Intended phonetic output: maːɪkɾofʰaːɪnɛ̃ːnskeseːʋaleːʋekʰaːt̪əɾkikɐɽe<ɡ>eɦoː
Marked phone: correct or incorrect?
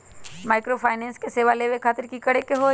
incorrect